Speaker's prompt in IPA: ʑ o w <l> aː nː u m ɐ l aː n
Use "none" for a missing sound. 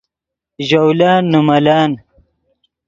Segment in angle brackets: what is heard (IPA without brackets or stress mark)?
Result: l